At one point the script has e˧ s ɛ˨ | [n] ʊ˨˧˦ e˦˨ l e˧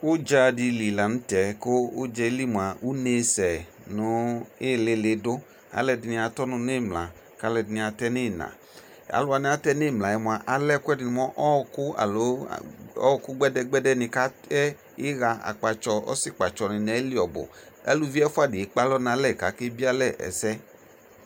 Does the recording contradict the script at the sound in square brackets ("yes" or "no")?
no